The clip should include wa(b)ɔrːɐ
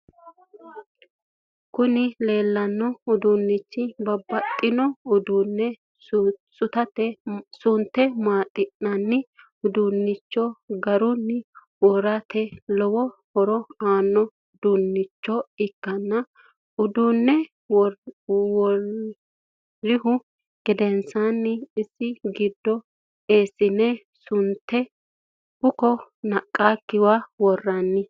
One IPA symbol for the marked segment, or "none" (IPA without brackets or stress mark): w